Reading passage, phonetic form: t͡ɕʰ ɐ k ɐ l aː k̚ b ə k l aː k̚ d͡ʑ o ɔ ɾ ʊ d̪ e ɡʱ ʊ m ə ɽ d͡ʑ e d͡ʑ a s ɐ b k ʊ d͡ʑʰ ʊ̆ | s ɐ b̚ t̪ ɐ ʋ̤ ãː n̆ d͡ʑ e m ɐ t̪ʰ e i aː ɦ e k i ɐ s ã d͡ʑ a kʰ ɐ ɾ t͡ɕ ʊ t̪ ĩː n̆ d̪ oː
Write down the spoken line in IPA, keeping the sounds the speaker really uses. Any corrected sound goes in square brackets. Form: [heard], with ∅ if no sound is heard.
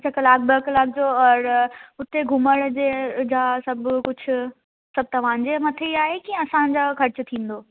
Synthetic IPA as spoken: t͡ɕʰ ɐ k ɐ l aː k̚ b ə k l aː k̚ d͡ʑ o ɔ ɾ ʊ [t̪] e ɡʱ ʊ m ə ɽ d͡ʑ e d͡ʑ a s ɐ b k ʊ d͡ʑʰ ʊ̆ | s ɐ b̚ t̪ ɐ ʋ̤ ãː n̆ d͡ʑ e m ɐ t̪ʰ e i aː ɦ e k i ɐ s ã d͡ʑ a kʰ ɐ ɾ t͡ɕ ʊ [t̪ʰ] ĩː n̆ d̪ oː